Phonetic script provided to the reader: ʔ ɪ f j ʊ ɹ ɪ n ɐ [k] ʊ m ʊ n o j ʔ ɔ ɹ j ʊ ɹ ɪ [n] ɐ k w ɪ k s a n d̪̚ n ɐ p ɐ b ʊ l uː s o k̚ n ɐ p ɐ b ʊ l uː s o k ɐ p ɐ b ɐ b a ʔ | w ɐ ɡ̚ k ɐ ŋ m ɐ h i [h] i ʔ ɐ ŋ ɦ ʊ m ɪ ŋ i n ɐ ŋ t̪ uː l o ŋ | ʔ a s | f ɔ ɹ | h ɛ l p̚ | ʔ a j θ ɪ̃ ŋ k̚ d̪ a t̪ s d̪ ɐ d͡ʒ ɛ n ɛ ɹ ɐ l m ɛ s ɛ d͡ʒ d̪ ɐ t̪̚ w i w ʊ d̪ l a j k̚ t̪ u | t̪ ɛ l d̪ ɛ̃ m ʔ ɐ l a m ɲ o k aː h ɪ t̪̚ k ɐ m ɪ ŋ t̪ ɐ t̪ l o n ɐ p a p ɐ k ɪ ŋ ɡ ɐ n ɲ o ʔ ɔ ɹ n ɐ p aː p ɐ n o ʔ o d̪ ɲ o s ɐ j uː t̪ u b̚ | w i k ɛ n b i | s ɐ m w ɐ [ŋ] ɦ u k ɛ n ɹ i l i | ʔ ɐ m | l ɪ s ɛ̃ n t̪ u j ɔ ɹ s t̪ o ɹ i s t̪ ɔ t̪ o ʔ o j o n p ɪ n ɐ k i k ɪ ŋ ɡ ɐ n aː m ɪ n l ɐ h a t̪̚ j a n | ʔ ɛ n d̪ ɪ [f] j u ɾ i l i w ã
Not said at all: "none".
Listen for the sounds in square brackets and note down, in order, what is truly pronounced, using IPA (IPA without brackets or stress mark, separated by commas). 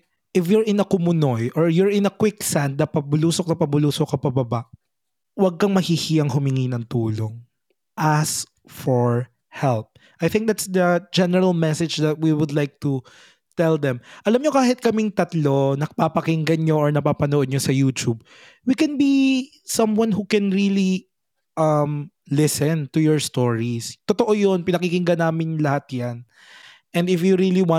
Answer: k, n, h, n, f